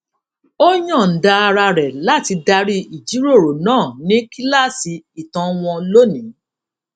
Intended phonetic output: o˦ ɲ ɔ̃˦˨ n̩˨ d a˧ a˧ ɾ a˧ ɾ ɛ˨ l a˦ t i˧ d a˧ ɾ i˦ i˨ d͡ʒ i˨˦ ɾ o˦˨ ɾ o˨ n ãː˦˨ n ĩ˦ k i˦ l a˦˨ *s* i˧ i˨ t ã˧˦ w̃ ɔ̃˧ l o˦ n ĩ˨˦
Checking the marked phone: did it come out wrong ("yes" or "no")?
no